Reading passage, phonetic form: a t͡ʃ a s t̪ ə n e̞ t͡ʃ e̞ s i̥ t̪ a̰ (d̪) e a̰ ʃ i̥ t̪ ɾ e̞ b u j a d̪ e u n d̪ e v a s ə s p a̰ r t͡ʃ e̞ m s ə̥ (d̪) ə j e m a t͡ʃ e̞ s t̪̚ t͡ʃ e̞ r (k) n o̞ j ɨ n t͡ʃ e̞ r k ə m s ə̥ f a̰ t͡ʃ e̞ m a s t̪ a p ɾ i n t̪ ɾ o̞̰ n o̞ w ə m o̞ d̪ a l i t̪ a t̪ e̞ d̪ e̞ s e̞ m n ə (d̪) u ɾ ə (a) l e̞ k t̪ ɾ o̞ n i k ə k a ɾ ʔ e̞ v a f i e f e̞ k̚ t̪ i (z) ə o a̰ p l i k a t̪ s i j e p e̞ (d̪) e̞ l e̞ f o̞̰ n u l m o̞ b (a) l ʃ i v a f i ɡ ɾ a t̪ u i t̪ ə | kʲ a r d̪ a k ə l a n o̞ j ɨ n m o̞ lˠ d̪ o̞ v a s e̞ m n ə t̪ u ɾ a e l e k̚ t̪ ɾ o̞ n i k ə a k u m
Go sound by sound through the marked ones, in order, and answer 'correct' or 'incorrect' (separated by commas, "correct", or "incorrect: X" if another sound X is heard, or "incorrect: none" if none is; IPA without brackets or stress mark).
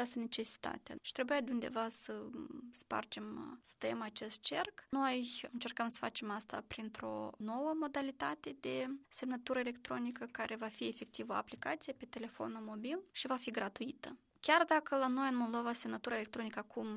incorrect: t̪, incorrect: t̪, correct, incorrect: t̪, incorrect: e, incorrect: v, incorrect: t̪, incorrect: i